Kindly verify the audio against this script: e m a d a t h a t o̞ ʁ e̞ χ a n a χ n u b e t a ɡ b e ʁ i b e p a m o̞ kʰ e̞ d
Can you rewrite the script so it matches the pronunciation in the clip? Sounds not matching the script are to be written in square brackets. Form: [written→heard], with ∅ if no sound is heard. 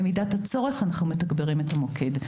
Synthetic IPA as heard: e m [a→i] d a t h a [t→t͡s] o̞ ʁ e̞ χ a n a χ n u [b→m] e t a ɡ b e ʁ i [b→m] e [p→t] a m o̞ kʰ e̞ d